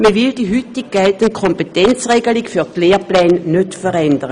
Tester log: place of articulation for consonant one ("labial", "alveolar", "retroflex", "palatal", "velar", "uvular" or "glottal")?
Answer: labial